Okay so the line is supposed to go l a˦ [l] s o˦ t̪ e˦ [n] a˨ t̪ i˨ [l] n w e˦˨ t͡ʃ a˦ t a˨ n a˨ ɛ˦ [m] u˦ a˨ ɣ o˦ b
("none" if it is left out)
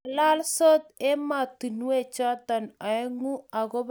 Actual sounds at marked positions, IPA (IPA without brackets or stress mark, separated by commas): l, m, none, ŋ